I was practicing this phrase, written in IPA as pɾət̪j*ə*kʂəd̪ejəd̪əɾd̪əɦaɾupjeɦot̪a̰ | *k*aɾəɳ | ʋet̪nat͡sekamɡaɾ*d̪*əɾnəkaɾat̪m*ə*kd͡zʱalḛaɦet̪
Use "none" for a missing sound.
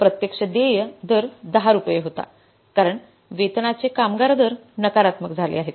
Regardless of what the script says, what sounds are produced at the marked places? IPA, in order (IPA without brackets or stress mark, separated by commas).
ə, k, d̪, ə